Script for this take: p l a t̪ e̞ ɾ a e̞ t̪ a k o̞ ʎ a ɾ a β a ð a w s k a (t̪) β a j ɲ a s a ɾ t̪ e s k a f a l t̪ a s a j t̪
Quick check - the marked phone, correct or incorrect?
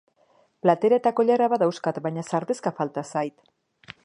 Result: correct